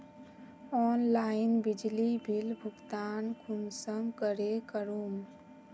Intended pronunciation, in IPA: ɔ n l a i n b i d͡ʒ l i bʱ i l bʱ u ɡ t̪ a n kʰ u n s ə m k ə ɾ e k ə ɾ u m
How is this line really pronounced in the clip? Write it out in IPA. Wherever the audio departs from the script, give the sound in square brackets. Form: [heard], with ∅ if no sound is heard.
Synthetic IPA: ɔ n l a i n b i d͡ʒ l i bʱ i l bʱ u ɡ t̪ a n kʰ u n s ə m k ə ɾ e k ə ɾ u m